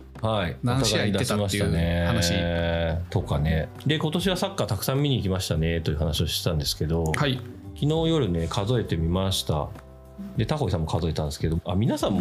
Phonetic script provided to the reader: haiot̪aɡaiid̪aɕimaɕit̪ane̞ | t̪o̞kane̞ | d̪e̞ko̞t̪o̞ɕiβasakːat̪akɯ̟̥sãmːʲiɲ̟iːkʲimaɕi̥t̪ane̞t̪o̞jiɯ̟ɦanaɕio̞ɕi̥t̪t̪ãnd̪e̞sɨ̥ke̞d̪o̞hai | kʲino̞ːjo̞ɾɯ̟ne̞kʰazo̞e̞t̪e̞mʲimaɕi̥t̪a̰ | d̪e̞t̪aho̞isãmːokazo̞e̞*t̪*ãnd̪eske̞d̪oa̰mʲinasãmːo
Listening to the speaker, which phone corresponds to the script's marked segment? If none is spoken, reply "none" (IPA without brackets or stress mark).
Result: t̪